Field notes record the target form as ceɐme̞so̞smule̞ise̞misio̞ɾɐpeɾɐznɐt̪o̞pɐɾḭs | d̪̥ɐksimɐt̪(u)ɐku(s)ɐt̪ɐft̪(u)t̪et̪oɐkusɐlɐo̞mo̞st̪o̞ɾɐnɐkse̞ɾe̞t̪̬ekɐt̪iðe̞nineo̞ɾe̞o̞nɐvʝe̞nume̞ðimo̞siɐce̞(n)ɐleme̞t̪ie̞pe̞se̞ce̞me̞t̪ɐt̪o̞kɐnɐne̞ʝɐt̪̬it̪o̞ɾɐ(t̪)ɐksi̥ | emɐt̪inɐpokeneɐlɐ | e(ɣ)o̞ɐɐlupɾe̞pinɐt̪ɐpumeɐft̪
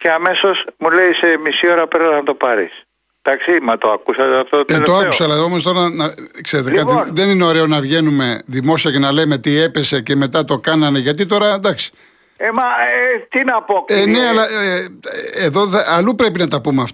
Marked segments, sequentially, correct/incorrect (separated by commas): incorrect, correct, incorrect, correct, incorrect, incorrect